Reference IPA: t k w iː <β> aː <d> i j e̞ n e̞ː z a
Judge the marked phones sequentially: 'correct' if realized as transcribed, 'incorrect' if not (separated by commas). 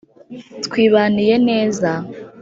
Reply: correct, incorrect